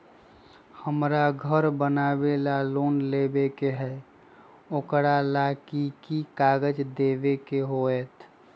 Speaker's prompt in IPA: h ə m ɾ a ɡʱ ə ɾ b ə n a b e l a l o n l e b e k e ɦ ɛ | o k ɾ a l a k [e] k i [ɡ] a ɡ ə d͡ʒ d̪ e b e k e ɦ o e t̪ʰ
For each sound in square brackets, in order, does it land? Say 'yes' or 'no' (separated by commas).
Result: no, no